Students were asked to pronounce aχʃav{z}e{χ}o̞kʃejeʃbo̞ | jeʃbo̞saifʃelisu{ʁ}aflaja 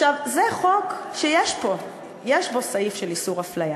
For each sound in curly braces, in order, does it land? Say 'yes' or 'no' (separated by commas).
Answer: yes, yes, yes